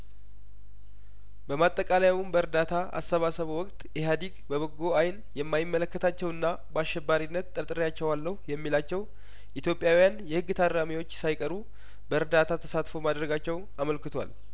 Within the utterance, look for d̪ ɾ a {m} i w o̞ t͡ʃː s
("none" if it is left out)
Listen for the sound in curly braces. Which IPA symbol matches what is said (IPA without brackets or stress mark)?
m